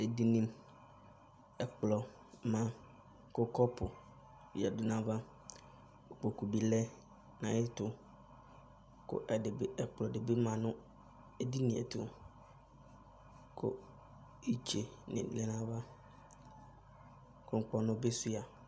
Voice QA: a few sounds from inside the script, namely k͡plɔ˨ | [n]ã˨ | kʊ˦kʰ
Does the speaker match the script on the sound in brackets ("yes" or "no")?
no